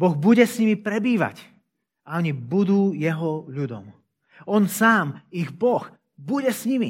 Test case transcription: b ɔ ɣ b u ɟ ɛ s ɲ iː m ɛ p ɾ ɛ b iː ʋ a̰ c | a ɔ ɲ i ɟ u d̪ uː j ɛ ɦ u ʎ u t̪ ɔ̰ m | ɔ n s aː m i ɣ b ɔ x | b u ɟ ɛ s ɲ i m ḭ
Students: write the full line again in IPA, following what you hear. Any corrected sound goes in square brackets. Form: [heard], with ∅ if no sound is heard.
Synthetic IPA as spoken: b ɔ ɣ b u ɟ ɛ s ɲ [i] m [i] p ɾ ɛ b iː ʋ a̰ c | a ɔ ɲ i [b] u d̪ uː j ɛ ɦ [ɔ] ʎ u [d̪] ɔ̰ m | ɔ n s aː m i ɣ b ɔ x | b u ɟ ɛ s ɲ i m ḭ